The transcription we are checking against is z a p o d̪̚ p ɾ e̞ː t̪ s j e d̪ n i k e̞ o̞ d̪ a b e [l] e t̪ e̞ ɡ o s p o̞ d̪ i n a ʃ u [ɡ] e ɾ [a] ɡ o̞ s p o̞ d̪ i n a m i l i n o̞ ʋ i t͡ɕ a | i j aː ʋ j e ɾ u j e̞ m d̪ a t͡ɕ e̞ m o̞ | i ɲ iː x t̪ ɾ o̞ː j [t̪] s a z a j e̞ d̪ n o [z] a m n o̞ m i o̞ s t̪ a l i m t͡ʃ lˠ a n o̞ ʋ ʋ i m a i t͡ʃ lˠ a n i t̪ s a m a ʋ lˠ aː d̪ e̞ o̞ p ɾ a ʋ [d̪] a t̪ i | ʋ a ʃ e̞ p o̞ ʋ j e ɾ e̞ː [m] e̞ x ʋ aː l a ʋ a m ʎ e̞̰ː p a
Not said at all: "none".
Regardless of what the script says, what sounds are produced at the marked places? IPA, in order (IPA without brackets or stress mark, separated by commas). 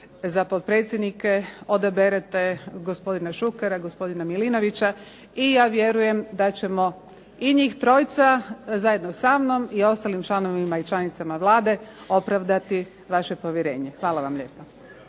ɾ, k, a, t̪, s, d̪, ɲ